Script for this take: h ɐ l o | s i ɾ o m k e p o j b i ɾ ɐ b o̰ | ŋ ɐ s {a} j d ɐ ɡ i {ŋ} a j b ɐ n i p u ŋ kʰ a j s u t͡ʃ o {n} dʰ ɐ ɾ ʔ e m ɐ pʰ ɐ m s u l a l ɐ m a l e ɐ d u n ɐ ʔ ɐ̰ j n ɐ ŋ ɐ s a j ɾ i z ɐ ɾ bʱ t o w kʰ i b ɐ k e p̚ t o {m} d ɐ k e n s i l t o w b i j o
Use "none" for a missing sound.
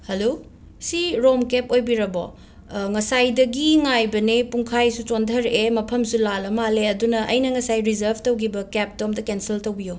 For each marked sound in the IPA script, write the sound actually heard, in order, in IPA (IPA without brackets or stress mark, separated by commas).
a, ŋ, n, m